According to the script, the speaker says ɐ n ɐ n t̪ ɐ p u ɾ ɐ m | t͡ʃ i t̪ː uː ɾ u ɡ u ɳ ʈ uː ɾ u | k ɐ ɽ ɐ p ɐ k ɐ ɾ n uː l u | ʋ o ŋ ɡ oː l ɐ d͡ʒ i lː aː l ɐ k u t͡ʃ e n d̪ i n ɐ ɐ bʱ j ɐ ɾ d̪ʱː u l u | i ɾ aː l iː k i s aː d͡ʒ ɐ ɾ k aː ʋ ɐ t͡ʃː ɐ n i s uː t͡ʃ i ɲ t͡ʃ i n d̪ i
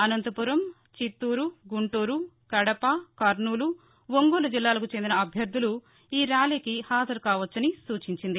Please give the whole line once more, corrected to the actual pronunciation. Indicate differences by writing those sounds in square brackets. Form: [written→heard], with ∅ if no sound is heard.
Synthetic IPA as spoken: ɐ n ɐ n t̪ ɐ p u ɾ ɐ m | t͡ʃ i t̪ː uː ɾ u ɡ u ɳ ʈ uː ɾ u | k ɐ ɽ ɐ p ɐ k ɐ ɾ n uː l u | ʋ o ŋ ɡ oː l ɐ d͡ʒ i lː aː l ɐ k u t͡ʃ e n d̪ i n ɐ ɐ bʱ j ɐ ɾ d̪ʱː u l u | [i→iː] ɾ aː l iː k i [s→h] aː d͡ʒ ɐ ɾ k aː ʋ ɐ t͡ʃː ɐ n i s uː t͡ʃ i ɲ t͡ʃ i n d̪ i